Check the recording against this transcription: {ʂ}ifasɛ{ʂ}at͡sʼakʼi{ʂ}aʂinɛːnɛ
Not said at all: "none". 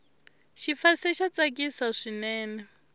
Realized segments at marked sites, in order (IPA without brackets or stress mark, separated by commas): ʃ, ʃ, s